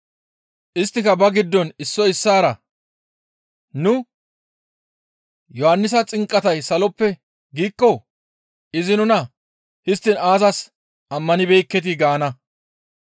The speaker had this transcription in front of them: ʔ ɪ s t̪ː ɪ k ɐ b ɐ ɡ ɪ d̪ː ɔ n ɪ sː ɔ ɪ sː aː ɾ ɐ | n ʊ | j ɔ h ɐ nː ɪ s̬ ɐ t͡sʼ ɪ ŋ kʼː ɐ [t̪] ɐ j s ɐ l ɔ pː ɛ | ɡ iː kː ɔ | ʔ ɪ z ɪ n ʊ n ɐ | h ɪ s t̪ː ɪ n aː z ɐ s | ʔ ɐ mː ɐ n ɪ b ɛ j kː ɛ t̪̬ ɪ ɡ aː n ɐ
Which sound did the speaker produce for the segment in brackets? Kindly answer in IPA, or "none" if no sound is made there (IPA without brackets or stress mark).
t̪